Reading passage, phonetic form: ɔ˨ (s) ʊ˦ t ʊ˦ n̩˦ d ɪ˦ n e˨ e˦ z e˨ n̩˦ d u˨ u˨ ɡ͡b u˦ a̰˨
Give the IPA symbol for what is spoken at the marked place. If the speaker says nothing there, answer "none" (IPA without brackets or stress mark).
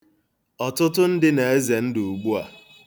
t